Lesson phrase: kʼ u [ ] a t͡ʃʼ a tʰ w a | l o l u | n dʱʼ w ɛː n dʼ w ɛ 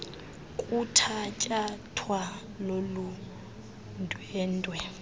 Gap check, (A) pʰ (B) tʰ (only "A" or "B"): B